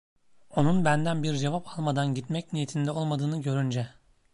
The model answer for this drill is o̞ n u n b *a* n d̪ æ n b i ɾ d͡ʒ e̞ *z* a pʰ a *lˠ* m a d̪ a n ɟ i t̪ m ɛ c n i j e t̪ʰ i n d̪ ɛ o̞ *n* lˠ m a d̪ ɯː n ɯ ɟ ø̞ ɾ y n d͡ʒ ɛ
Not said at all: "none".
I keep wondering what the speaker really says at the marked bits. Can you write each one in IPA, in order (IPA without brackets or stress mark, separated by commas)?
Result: æ, v, lˠ, none